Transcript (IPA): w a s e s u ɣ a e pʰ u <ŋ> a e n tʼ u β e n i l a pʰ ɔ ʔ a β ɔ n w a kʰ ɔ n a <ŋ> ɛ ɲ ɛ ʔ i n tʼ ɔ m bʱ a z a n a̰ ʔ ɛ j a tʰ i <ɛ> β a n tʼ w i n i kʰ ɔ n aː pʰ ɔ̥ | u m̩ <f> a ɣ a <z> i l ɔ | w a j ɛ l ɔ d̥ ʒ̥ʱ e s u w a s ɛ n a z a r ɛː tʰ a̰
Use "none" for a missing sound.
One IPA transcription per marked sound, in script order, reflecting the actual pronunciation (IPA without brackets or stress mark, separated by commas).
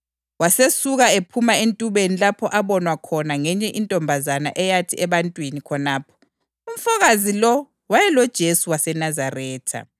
m, ŋ, ɛ, f, z